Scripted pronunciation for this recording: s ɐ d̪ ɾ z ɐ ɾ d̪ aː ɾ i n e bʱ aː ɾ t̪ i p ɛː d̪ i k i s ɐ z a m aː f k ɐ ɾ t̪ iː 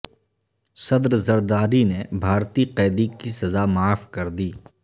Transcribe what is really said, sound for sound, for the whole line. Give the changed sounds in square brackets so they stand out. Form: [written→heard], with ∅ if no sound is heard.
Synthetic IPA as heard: s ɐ d̪ ɾ z ɐ ɾ d̪ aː ɾ i n e bʱ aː ɾ t̪ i [p→q] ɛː d̪ i k i s ɐ z a m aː f k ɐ ɾ [t̪→d̪] iː